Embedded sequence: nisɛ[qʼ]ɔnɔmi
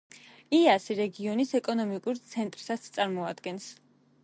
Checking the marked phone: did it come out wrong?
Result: yes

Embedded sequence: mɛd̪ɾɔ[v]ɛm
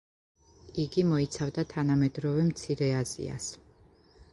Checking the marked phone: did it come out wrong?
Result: no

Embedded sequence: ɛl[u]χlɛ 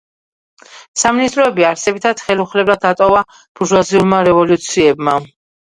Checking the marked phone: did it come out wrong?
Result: no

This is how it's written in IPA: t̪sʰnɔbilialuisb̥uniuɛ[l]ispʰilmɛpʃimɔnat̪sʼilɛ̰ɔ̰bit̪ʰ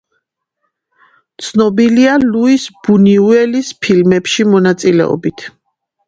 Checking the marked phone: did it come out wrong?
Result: no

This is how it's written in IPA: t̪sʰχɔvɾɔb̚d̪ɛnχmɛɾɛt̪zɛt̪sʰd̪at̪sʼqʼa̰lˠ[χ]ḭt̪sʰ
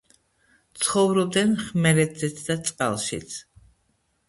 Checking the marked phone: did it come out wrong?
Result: yes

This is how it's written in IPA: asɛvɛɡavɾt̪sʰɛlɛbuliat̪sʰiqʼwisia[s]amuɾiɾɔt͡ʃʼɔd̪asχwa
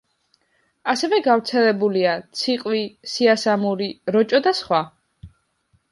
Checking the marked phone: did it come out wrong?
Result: no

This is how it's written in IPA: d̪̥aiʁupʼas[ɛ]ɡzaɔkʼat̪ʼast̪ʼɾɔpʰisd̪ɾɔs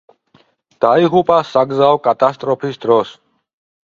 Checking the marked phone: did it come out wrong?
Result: yes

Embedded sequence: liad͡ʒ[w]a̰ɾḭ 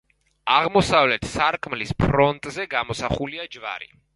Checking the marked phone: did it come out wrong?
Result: yes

